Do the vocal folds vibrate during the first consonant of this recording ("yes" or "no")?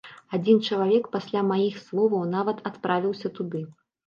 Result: yes